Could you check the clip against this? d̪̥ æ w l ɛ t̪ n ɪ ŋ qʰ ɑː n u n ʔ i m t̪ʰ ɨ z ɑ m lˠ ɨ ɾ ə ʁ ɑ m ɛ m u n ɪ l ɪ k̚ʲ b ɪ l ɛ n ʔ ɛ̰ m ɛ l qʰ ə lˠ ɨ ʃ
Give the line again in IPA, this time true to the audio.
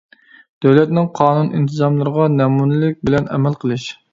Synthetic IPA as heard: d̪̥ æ w l ɛ t̪ n ɪ ŋ qʰ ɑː n u n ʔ i n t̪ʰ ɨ z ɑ m lˠ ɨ ɾ ə ʁ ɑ n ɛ m u n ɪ l ɪ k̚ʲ b ɪ l ɛ n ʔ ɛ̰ m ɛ l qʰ ə lˠ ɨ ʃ